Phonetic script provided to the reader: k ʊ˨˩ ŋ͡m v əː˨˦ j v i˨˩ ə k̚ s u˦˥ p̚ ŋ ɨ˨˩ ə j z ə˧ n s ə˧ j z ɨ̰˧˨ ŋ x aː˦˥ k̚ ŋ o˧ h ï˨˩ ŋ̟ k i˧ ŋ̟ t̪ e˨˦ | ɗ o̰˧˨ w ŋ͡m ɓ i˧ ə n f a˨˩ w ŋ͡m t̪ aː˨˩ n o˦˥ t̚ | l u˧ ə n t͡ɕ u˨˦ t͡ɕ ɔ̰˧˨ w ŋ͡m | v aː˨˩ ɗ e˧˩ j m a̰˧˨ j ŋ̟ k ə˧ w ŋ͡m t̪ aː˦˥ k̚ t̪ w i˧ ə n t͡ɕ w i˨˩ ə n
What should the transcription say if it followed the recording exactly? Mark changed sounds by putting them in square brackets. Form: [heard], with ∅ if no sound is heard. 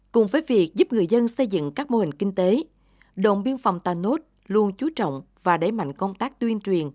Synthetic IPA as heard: k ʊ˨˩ ŋ͡m v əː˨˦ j v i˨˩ ə k̚ [z] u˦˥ p̚ ŋ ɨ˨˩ ə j z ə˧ n s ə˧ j z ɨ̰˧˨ ŋ [k] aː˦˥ k̚ [m] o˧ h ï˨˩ ŋ̟ k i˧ ŋ̟ t̪ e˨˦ | ɗ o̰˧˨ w ŋ͡m ɓ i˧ ə n f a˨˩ w ŋ͡m t̪ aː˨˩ n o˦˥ t̚ | l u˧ ə n t͡ɕ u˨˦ t͡ɕ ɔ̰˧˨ w ŋ͡m | v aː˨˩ ɗ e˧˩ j m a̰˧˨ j ŋ̟ k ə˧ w ŋ͡m t̪ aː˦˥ k̚ t̪ w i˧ ə n t͡ɕ w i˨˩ ə n